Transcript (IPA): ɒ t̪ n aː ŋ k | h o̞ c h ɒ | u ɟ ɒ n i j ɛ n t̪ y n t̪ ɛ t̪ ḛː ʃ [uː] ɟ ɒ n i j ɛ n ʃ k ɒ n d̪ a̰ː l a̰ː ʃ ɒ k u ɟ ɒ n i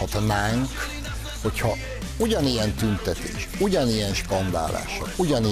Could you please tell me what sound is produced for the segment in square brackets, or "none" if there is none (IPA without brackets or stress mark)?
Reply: u